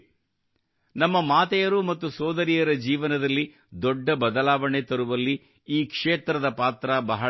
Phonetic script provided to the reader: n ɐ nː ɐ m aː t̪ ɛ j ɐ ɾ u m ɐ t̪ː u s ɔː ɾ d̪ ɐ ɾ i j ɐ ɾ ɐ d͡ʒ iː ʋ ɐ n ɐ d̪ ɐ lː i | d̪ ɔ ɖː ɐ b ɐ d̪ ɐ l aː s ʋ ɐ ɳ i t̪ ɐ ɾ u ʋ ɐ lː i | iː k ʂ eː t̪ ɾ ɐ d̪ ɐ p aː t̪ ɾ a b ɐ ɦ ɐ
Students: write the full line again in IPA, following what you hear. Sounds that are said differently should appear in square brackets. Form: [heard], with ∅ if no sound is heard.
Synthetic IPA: n ɐ [mː] ɐ m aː t̪ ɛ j ɐ ɾ u m ɐ t̪ː u s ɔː [∅] d̪ ɐ ɾ i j ɐ ɾ ɐ d͡ʒ iː ʋ ɐ n ɐ d̪ ɐ lː i | d̪ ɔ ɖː ɐ b ɐ d̪ ɐ l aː [∅] ʋ ɐ ɳ [e] t̪ ɐ ɾ u ʋ ɐ lː i | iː k ʂ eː t̪ ɾ ɐ d̪ ɐ p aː t̪ ɾ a b ɐ ɦ ɐ